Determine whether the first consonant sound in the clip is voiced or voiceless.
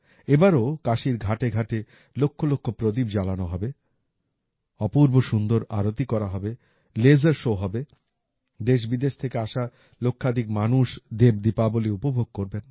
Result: voiced